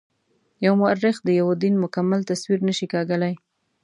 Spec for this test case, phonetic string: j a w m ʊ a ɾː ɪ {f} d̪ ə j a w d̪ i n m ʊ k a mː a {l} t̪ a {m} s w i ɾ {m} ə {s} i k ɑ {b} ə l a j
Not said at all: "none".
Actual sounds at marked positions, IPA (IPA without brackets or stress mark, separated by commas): x, l, none, n, ʃ, ɡ